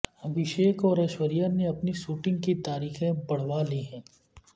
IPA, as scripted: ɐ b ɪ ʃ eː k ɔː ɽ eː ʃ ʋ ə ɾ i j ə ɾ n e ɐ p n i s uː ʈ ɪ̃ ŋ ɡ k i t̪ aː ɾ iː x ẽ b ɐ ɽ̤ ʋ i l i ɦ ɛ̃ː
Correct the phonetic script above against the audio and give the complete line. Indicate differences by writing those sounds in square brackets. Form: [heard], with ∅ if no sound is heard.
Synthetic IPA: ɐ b ɪ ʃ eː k ɔː [ɾ] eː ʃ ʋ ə ɾ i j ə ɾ n e ɐ p n i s uː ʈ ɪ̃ ŋ ɡ k i t̪ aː ɾ iː x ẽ b ɐ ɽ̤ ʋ [a] l i ɦ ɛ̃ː